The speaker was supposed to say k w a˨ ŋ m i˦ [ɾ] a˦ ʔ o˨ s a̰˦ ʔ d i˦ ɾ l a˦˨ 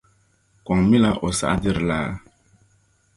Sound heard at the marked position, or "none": l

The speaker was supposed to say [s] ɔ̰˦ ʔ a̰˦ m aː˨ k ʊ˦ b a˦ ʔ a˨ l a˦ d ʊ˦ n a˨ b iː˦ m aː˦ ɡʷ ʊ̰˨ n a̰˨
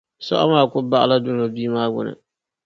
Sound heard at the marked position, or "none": s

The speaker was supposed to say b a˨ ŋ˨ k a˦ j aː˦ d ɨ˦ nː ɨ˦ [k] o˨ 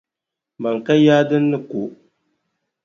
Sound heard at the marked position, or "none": k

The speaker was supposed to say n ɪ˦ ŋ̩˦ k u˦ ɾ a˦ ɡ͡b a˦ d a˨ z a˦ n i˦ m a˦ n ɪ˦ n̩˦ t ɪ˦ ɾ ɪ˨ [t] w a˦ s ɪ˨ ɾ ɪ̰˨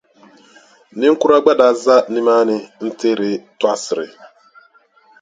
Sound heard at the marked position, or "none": t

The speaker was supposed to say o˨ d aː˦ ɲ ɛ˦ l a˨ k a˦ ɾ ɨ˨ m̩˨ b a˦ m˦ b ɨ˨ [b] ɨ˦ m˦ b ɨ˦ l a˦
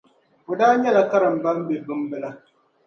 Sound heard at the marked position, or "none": b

